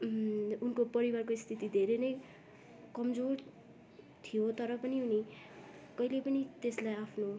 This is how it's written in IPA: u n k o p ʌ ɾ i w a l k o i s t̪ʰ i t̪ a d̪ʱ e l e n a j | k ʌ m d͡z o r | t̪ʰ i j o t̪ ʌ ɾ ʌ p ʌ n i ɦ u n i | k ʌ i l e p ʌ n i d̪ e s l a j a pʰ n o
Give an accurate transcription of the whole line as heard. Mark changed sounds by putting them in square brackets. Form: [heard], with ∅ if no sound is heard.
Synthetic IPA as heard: u n k o p ʌ ɾ i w a [r] k o i s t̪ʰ i t̪ [i] d̪ʱ e [ɾ] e n [ʌ] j | k ʌ m d͡z o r | t̪ʰ i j o t̪ ʌ ɾ ʌ p ʌ n i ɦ u n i | k ʌ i l e p ʌ n i [t̪] e s l a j a pʰ n o

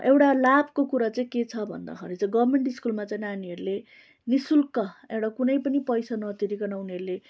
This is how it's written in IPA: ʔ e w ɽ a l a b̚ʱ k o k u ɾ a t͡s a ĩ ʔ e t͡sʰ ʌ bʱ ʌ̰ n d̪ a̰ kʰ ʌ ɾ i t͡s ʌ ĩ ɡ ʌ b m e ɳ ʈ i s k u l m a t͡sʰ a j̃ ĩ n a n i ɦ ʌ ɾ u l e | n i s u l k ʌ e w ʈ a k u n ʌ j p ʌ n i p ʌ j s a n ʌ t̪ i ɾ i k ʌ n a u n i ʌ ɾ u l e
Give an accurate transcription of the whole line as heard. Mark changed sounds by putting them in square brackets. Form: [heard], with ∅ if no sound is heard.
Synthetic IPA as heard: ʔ e w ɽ a l a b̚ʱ k o k u ɾ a t͡s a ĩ [k] e t͡sʰ ʌ bʱ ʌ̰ n d̪ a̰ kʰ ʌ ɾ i t͡s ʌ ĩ ɡ ʌ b m e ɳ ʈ i s k u l m a [t͡s] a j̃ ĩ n a n i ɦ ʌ ɾ u l e | n i s u l k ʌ e w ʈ a k u n ʌ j p ʌ n i p ʌ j s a n ʌ t̪ i ɾ i k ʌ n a u n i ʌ ɾ u l e

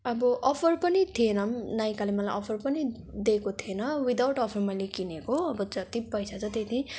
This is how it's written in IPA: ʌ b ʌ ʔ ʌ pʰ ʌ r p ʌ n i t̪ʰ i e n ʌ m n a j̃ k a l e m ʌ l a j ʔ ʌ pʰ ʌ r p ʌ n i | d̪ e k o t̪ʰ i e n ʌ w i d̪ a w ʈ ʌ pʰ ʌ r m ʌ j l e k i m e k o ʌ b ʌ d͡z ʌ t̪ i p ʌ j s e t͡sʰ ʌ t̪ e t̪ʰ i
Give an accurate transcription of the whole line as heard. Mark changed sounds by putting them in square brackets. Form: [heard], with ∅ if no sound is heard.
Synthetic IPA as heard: ʌ b ʌ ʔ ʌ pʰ ʌ r p ʌ n i t̪ʰ i e n ʌ m n a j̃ k a l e m ʌ l a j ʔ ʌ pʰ ʌ r p ʌ n i | d̪ e k o t̪ʰ i e n ʌ w i d̪ a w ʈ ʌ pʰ ʌ r m ʌ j l e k i [n] e k o ʌ b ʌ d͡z ʌ t̪ i p ʌ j s [a] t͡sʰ ʌ t̪ e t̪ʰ i

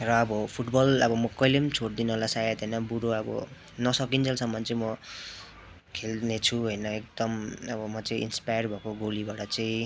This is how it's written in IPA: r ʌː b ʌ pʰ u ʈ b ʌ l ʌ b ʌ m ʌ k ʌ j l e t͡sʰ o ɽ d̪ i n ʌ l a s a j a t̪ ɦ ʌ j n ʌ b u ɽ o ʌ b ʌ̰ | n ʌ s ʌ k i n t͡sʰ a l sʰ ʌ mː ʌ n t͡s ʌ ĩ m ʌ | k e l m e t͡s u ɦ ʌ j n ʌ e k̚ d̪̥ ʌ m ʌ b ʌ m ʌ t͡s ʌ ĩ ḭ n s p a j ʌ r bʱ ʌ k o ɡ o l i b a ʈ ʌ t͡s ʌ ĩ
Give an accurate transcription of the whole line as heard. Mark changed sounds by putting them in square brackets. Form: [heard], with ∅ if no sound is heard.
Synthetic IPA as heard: r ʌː b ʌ pʰ u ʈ b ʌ l ʌ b ʌ m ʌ k ʌ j l e t͡sʰ o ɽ d̪ i n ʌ l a s a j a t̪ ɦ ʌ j n ʌ b u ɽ o ʌ b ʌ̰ | n ʌ s ʌ k i n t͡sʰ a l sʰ ʌ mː ʌ n t͡s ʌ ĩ m ʌ | [kʰ] e l [n] e [t͡sʰ] u ɦ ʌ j n ʌ e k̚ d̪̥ ʌ m ʌ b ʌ m ʌ t͡s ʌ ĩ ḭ n s p a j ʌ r bʱ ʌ k o ɡ o l i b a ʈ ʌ t͡s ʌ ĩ

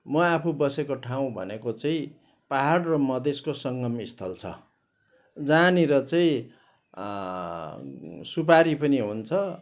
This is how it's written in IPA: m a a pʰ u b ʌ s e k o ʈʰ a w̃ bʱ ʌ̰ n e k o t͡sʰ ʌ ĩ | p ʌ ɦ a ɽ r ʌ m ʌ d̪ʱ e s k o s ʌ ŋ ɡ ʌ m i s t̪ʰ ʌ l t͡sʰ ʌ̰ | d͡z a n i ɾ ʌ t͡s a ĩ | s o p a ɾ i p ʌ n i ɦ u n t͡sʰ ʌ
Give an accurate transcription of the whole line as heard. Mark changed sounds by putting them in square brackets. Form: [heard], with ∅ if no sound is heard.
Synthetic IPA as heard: m [ʌ] a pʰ u b ʌ s e k o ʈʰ a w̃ bʱ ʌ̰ n e k o [t͡s] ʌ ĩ | p [a] ɦ a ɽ r ʌ m ʌ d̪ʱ e s k o s ʌ ŋ ɡ ʌ m i s t̪ʰ ʌ l t͡sʰ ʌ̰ | d͡z a n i ɾ ʌ t͡s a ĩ | s [u] p a ɾ i p ʌ n i ɦ u n t͡sʰ ʌ

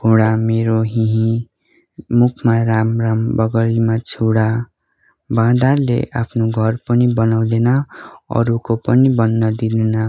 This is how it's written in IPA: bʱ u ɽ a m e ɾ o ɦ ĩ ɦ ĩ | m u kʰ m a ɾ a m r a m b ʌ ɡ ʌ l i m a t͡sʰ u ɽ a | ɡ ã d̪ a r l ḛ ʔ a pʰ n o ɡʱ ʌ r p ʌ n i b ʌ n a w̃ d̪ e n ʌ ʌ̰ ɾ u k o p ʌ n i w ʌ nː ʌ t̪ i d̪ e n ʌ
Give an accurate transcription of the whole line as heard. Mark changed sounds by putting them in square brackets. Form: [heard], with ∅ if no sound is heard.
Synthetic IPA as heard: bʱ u ɽ a m e ɾ o ɦ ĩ ɦ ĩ | m u kʰ m a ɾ a m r a m b ʌ ɡ ʌ l i m a t͡sʰ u ɽ a | [b] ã d̪ a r l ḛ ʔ a pʰ n o ɡʱ ʌ r p ʌ n i b ʌ n a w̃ d̪ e n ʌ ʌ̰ ɾ u k o p ʌ n i [b] ʌ nː ʌ [d̪] i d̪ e n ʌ

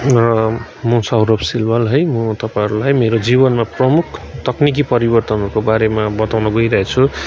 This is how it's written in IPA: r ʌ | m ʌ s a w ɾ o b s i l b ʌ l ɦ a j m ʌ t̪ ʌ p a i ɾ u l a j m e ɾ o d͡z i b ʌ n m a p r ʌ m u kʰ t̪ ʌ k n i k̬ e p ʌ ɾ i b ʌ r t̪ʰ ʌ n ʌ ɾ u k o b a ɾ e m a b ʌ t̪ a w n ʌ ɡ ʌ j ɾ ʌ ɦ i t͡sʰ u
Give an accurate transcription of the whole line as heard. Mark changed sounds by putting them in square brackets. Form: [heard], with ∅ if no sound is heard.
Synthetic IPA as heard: r ʌ | m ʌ s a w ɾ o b s i l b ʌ l ɦ [ʌ] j m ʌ t̪ ʌ p a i ɾ u l a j m e ɾ o d͡z i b ʌ n m a p r ʌ m u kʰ t̪ ʌ k n i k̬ [i] p ʌ ɾ i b ʌ r [t̪] ʌ n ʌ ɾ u k o b a ɾ e m a b ʌ t̪ a w n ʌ ɡ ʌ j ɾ ʌ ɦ [e] t͡sʰ u

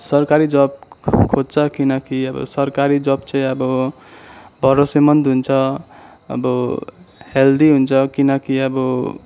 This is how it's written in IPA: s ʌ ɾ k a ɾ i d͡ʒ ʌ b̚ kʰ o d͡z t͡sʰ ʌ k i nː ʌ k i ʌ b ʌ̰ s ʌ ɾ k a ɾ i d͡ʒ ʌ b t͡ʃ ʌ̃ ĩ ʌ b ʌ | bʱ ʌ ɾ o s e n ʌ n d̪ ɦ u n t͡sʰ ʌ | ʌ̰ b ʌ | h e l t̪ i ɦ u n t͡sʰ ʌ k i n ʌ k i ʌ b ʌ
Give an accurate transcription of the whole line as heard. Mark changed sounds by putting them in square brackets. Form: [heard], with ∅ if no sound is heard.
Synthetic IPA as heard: s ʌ ɾ k a ɾ i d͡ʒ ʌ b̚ kʰ o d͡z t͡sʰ ʌ k i [n] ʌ k i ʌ b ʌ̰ s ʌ ɾ k a ɾ i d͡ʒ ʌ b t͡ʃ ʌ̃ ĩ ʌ b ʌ | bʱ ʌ ɾ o s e [m] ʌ n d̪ ɦ u n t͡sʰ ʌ | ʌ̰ b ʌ | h e l [d̪] i ɦ u n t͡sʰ ʌ k i n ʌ k i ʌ b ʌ

